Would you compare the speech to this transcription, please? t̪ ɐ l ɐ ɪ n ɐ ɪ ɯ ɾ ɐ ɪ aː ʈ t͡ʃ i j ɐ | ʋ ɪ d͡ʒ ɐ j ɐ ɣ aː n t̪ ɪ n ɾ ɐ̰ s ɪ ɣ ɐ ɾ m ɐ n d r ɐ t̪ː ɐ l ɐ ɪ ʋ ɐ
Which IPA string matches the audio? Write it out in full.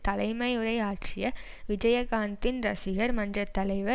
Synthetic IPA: t̪ ɐ l ɐ ɪ m ɐ ɪ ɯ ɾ ɐ ɪ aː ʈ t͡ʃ ɪ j ɐ | ʋ ɪ d͡ʒ ɐ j ɐ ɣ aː n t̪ ɪ n ɾ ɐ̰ s ɪ ɣ ɐ ɾ m ɐ n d r ɐ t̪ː ɐ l ɐ ɪ ʋ ɐ